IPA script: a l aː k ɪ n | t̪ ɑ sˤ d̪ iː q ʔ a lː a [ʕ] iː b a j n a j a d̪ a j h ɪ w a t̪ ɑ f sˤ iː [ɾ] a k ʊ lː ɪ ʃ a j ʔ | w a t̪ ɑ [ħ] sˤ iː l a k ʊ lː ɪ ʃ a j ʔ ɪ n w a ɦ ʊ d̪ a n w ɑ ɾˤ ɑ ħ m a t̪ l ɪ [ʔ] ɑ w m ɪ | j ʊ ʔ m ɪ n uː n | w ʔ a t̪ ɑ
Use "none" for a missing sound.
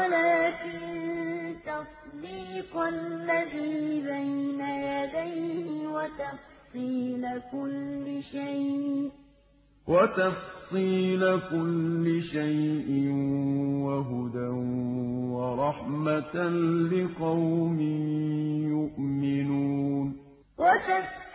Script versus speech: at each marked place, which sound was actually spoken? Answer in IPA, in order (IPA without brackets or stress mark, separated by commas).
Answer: ð, l, f, q